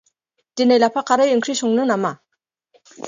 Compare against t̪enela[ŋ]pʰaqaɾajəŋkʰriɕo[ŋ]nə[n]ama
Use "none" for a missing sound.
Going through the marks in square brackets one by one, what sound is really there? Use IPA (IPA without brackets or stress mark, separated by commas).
none, ŋ, n